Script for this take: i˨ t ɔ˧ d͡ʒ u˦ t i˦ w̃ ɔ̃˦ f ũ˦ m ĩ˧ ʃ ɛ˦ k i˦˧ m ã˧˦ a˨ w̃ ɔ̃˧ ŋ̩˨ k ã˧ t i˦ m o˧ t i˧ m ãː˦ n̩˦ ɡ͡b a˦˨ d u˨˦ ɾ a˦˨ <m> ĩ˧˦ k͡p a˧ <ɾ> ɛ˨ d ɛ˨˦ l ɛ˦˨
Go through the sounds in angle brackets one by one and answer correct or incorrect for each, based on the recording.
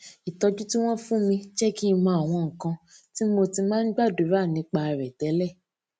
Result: incorrect: n, correct

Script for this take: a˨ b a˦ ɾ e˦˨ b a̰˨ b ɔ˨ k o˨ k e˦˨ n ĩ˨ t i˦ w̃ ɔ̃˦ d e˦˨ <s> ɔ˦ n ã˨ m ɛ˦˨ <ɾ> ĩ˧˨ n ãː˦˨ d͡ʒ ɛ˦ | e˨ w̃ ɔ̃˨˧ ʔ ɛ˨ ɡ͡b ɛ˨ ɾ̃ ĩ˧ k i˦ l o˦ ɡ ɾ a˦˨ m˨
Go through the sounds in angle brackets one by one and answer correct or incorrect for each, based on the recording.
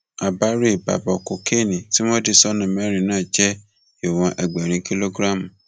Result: correct, correct

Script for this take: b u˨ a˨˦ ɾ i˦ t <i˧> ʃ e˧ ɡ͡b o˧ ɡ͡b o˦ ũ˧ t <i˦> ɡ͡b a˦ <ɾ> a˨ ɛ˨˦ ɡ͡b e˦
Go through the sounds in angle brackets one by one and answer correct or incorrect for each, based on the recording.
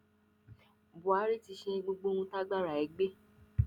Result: correct, incorrect: a˦, correct

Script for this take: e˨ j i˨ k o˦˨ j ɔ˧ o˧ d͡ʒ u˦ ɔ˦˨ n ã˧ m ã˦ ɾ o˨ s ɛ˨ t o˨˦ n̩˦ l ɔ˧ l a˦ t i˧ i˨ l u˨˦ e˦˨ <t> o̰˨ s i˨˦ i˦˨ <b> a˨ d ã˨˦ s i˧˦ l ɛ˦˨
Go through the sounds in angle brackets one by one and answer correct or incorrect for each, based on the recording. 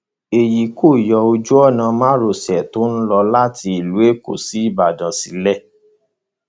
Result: incorrect: k, correct

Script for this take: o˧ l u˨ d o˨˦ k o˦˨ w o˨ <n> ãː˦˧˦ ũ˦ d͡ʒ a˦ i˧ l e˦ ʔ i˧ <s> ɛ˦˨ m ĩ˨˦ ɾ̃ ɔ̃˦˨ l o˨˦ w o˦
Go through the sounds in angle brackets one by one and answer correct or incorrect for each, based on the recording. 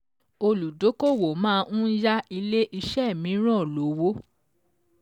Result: incorrect: m, incorrect: ʃ

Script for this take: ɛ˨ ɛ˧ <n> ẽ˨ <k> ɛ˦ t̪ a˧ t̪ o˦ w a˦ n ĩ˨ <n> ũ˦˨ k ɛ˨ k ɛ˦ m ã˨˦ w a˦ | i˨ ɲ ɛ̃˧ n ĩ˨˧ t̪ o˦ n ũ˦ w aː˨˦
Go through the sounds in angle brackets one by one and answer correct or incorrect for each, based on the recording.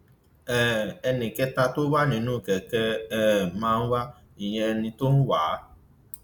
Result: correct, correct, correct

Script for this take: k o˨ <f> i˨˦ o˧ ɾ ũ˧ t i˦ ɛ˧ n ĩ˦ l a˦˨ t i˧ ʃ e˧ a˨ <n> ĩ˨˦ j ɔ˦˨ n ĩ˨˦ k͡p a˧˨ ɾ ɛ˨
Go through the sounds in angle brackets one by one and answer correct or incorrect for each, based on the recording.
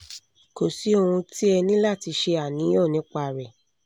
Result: incorrect: s, correct

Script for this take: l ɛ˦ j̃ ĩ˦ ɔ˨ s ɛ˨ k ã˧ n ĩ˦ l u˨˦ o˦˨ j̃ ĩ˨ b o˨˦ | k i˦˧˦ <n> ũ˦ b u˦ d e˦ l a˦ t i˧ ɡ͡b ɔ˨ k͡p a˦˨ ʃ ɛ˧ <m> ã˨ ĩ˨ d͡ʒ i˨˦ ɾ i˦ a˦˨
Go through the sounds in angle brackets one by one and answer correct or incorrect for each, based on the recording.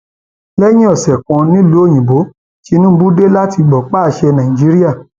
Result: correct, incorrect: n

